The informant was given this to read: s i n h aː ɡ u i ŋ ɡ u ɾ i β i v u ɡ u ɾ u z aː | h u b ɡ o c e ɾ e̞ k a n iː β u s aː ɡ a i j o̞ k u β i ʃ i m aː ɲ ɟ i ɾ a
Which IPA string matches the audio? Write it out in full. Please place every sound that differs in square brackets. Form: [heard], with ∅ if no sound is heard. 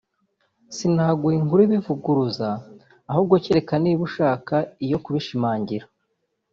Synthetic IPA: s i n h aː ɡ u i ŋ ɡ u ɾ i β i v u ɡ u ɾ u z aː | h u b ɡ o c e ɾ e̞ k a n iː β u [ʃ] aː [k] a i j o̞ k u β i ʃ i m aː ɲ ɟ i ɾ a

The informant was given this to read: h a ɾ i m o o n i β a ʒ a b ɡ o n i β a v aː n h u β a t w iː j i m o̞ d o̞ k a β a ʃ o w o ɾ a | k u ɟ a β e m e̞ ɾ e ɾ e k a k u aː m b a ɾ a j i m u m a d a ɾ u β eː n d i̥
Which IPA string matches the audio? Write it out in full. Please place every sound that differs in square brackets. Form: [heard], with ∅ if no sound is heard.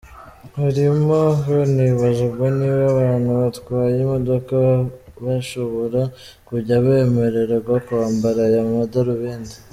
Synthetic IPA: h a ɾ i m o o n i β a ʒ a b ɡ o n i β a [β] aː n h u β a t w [aː] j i m o̞ d o̞ k a β a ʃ o [β] o ɾ a | k u ɟ a β e m e̞ ɾ e ɾ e [ɡ] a k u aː m b a ɾ a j [a] m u m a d a ɾ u β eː n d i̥

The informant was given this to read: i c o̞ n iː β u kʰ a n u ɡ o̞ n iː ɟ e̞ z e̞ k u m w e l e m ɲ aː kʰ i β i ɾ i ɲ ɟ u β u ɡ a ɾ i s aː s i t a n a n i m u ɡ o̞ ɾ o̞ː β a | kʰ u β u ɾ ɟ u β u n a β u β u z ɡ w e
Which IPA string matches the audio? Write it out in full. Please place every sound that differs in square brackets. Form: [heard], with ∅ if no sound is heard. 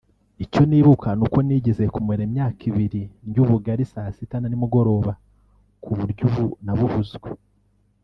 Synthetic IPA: i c o̞ n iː β u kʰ a n u [k] o̞ n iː ɟ e̞ z e̞ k u m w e [ɾ] e m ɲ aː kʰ i β i ɾ i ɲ ɟ u β u ɡ a ɾ i s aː s i t a n a n i m u ɡ o̞ ɾ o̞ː β a | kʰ u β u ɾ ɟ u β u n a β u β u z ɡ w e

